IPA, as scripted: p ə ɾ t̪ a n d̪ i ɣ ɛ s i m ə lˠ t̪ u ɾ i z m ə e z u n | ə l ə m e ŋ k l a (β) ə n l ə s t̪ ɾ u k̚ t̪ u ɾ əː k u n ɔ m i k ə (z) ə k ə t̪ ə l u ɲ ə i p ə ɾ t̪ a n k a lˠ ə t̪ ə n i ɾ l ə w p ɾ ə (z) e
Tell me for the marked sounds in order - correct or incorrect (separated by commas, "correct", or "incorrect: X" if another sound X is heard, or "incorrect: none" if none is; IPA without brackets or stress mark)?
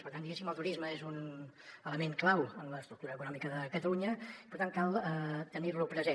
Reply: incorrect: w, incorrect: ð, correct